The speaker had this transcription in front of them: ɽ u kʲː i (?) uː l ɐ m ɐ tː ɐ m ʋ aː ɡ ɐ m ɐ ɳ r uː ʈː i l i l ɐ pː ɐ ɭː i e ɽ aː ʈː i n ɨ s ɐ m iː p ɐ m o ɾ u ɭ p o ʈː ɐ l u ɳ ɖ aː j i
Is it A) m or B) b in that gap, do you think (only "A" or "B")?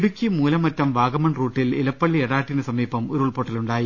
A